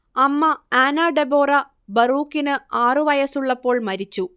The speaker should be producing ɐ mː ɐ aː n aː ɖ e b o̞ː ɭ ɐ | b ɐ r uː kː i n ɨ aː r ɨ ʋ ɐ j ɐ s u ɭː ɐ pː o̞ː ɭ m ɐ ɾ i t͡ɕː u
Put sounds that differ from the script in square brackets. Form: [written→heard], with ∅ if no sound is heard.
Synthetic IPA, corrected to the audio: ɐ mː ɐ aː n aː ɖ e b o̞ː [ɭ→r] ɐ | b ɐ r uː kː i n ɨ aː r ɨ ʋ ɐ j ɐ s u ɭː ɐ pː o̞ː ɭ m ɐ ɾ i t͡ɕː u